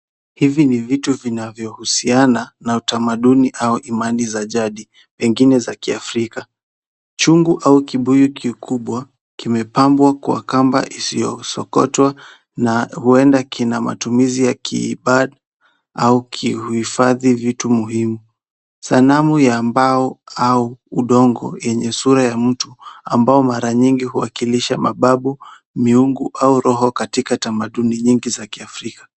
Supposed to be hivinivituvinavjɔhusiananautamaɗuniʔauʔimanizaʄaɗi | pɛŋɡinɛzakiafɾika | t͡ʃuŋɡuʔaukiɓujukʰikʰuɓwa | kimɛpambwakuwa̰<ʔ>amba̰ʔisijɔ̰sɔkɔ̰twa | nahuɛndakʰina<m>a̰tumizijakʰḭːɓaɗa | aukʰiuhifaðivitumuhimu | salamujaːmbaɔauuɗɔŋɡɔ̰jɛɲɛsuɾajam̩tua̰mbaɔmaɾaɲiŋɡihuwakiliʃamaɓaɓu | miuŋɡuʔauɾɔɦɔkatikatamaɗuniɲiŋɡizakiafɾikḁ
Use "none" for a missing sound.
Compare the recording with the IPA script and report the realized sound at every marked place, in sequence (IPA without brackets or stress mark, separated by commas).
k, m